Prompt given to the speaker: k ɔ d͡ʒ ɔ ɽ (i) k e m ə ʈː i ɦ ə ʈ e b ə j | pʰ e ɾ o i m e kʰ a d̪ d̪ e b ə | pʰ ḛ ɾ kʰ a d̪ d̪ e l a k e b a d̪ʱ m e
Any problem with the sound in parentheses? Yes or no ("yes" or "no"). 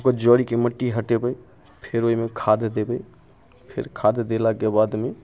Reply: no